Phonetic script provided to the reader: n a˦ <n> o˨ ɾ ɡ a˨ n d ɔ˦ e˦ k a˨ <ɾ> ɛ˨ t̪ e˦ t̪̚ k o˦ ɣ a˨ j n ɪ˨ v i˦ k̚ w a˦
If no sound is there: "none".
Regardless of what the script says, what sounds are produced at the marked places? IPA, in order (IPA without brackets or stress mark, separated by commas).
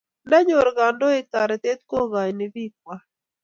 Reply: ɲ, ɾ